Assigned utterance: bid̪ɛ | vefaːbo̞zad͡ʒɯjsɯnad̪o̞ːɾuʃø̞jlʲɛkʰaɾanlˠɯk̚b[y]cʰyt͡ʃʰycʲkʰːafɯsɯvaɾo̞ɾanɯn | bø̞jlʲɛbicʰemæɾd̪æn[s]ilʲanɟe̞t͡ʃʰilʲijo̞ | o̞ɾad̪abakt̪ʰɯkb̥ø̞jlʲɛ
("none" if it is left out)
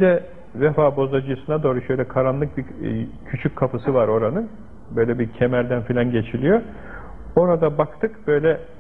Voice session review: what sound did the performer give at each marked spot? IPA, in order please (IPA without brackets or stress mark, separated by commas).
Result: i, f